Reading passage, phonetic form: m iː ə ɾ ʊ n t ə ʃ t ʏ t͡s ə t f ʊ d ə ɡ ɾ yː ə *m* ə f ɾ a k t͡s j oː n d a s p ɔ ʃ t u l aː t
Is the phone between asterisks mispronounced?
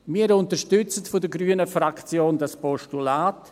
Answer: yes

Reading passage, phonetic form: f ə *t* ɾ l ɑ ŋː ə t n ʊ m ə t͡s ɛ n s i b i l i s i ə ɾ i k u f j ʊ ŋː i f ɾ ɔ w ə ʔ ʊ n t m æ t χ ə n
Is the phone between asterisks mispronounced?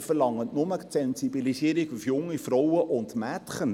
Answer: yes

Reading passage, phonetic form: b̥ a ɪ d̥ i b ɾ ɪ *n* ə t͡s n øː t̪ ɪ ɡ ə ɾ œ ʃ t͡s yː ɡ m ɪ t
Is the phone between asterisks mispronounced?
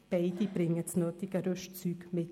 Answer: yes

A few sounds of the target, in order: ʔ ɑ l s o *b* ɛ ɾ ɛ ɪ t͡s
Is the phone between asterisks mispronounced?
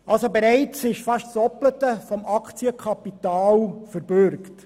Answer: no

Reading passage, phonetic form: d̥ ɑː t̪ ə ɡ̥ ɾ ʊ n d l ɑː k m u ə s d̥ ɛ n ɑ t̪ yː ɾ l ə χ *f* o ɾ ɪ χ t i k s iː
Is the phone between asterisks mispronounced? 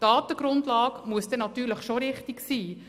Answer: yes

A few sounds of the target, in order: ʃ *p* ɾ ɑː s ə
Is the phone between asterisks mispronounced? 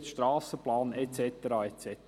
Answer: yes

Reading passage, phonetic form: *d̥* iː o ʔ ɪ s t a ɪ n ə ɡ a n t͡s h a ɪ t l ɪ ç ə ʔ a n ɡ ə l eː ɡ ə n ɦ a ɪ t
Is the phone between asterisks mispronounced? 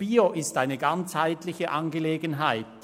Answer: yes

